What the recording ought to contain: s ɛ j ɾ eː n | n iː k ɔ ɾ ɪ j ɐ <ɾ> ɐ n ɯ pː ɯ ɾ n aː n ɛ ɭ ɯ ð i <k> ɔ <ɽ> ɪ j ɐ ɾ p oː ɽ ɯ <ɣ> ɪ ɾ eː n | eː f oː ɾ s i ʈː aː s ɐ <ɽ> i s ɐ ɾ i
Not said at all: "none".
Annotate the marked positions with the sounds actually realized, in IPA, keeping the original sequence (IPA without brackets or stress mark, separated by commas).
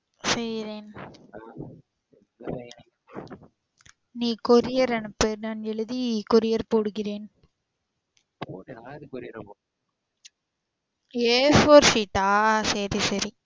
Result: ɾ, k, ɾ, ɣ, ɾ